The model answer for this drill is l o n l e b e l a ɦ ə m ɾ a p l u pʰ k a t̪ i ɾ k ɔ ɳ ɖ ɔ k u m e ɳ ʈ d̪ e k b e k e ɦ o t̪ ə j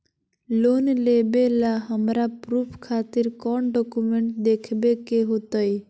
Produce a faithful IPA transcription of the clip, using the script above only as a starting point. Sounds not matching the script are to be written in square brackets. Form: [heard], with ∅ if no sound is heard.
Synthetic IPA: l o n l e b e l a ɦ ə m ɾ a p [ɾ] u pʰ [kʰ] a t̪ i ɾ k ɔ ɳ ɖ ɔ k u m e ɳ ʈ d̪ e [kʰ] b e k e ɦ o t̪ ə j